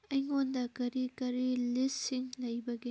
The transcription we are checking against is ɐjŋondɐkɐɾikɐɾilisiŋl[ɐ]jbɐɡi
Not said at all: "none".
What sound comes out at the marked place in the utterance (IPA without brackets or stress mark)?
ɐ